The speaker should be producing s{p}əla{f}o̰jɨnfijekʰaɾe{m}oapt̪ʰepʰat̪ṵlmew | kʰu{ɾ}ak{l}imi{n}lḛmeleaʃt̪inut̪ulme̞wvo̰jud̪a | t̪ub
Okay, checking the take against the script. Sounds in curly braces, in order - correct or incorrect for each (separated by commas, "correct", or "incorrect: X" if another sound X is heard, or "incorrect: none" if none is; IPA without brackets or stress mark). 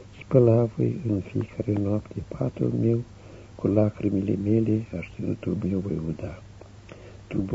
correct, incorrect: v, incorrect: n, incorrect: l, incorrect: ɾ, incorrect: none